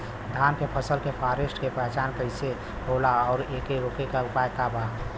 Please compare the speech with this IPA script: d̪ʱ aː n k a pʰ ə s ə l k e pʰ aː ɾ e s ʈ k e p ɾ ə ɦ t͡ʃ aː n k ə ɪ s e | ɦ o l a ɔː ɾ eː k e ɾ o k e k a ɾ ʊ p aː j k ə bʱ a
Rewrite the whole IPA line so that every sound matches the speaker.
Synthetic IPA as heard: d̪ʱ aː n k e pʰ ə s ə l k e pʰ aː ɾ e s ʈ k e p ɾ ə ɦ t͡ʃ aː n k ə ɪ s e | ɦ o l a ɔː ɾ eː k e ɾ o k e k a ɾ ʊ p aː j k a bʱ a